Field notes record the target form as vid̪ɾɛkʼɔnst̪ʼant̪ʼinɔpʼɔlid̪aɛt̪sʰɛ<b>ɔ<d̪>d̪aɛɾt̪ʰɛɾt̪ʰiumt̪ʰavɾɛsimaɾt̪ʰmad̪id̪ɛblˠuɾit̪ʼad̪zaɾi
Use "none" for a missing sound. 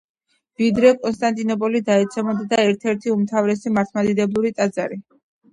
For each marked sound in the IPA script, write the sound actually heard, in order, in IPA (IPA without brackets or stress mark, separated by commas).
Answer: m, d̪